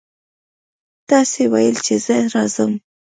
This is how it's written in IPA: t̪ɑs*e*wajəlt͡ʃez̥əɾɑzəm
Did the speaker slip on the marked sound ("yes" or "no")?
no